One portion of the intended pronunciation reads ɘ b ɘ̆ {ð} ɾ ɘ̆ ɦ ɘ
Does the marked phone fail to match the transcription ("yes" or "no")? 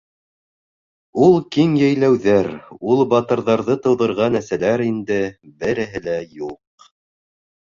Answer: yes